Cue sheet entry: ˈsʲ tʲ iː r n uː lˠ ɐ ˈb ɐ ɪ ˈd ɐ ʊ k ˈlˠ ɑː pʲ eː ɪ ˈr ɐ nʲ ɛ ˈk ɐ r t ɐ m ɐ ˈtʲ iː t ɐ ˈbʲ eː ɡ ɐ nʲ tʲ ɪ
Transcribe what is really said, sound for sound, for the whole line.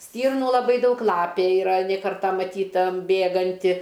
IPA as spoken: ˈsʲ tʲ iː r n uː lˠ ɐ ˈb ɐ ɪ ˈd ɐ ʊ k ˈlˠ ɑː pʲ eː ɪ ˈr ɐ nʲ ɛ ˈk ɐ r t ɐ m ɐ ˈtʲ iː t ɐ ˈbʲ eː ɡ ɐ nʲ tʲ ɪ